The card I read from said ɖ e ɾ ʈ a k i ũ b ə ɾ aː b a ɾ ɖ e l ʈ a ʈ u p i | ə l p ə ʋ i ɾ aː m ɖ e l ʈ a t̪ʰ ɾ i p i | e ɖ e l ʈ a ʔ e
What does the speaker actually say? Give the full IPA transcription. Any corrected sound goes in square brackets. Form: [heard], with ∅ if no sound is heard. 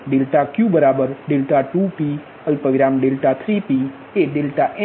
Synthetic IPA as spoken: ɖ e [l] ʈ a k [j] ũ b ə ɾ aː b [ə] ɾ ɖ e l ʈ a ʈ u p i | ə l p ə ʋ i ɾ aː m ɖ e l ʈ a t̪ʰ ɾ i p i | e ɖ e l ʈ a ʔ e

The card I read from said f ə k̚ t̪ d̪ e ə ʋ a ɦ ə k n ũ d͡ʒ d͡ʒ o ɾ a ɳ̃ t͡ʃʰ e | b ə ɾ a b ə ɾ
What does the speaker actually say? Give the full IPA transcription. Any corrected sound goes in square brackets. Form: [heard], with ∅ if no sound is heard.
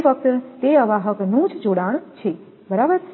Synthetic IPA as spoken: f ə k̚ t̪ [t̪] e ə ʋ a ɦ ə k n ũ d͡ʒ d͡ʒ o [ɽ] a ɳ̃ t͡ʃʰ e | b ə ɾ a b ə ɾ

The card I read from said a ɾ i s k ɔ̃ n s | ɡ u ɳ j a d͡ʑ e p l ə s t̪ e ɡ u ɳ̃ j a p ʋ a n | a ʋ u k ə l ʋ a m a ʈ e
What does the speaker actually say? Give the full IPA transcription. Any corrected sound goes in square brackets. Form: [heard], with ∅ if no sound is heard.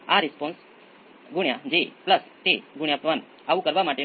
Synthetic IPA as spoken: a ɾ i s [p] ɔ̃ n s | ɡ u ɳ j a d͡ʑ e p l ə s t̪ e ɡ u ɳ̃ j a p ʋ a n | a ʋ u k ə [ɾ] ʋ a m a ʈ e

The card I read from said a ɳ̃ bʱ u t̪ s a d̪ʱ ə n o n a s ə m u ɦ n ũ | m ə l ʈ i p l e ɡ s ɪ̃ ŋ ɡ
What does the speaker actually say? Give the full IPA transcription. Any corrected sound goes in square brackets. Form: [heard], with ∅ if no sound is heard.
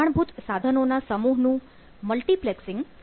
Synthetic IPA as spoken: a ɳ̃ bʱ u t̪ s a d̪ʱ ə n o n a s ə m u ɦ n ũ | m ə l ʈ i p l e [k] s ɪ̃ ŋ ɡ

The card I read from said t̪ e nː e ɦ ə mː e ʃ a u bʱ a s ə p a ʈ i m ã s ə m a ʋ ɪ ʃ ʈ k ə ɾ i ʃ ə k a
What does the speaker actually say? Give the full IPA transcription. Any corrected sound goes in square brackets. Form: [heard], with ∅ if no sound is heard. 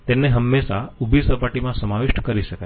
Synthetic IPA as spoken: t̪ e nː e ɦ ə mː e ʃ a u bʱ [i] s ə p a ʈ i m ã s ə m a ʋ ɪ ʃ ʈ k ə ɾ i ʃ ə k a

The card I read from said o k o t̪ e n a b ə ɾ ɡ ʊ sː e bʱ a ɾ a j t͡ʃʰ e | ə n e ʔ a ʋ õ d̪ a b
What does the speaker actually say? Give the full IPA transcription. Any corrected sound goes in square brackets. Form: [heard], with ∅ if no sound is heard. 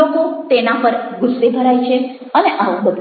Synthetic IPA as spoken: o k o t̪ e n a [p] ə ɾ ɡ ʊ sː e bʱ [ə] ɾ a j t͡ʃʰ e | ə n e ʔ a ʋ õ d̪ [ə] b

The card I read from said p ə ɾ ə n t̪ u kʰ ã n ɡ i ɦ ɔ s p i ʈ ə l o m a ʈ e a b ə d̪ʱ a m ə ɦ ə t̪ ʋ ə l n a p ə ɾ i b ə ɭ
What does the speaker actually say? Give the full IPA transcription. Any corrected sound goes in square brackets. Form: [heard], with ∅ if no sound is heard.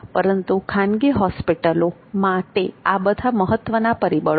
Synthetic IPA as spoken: p ə ɾ ə n t̪ u kʰ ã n ɡ i ɦ ɔ s p i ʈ ə l o m a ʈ e a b ə d̪ʱ a m ə ɦ ə t̪ ʋ ə [∅] n a p ə ɾ i b ə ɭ

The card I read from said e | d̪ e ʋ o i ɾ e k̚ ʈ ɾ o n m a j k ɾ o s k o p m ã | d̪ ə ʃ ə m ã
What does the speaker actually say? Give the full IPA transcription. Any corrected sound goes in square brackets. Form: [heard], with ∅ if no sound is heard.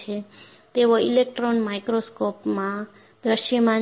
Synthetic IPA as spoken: e | [t̪] e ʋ o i [l] e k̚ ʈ ɾ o n m a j k ɾ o s k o p m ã | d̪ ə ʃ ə m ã

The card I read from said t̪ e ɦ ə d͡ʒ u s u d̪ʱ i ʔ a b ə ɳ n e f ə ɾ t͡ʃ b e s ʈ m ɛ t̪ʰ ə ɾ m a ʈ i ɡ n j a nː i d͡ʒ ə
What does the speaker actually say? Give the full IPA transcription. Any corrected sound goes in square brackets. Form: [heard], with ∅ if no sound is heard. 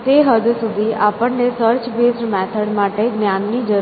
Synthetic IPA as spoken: t̪ e ɦ ə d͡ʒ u s u d̪ʱ i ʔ a [p] ə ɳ n e [s] ə ɾ t͡ʃ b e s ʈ m ɛ t̪ʰ ə [ɽ] m a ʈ [e] ɡ n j a nː i d͡ʒ ə

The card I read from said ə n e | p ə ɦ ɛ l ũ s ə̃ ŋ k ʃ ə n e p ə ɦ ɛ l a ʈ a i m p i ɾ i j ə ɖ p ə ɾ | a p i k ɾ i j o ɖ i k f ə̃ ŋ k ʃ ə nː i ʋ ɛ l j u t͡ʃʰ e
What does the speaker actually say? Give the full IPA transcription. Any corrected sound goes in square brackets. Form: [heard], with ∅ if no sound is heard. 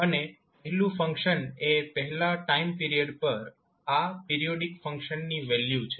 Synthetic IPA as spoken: ə n e | p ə ɦ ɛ l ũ [f] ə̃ ŋ k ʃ ə n e p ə ɦ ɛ l a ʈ a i m p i ɾ i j ə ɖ p ə ɾ | a p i [∅] ɾ i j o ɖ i k f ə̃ ŋ k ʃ ə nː i ʋ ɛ l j u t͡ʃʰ e

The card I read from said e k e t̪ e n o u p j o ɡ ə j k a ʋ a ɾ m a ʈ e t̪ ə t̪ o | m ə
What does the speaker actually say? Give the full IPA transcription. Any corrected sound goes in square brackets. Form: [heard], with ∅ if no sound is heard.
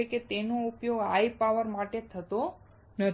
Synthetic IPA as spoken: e k e t̪ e n o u p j o ɡ [a] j [p] a ʋ [ə] ɾ m a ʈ e [t̪ʰ] ə t̪ o | [n] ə

